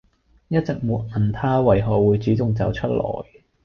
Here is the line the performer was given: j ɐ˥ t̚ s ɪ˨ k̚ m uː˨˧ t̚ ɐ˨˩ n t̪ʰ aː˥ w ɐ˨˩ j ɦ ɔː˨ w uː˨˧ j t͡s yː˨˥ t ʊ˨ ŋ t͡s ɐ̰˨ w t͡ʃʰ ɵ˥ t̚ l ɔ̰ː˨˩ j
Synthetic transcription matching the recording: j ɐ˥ t̚ t͡s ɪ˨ k̚ m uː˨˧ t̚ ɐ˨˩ n t̪ʰ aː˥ w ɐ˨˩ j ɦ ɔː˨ w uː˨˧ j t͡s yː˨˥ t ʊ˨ ŋ t͡s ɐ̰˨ w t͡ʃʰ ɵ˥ t̚ l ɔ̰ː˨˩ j